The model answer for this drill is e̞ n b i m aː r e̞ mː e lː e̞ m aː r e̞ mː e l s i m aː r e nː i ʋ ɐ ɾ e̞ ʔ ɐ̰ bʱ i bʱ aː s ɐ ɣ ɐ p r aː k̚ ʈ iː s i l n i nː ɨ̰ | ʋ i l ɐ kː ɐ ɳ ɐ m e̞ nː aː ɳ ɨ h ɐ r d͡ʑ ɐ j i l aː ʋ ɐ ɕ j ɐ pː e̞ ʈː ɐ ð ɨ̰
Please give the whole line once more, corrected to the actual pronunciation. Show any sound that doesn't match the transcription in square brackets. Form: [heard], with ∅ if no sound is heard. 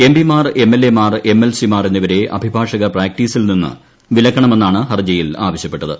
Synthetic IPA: e̞ [m] b i m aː r e̞ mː e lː e̞ m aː r e̞ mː e l s i m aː r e nː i ʋ ɐ ɾ e̞ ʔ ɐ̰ bʱ i bʱ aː [ʂ] ɐ ɣ ɐ p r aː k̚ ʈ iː s i l n i nː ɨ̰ | ʋ i l ɐ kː ɐ ɳ ɐ m e̞ nː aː ɳ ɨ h ɐ r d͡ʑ ɐ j i l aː ʋ ɐ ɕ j ɐ pː e̞ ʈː ɐ ð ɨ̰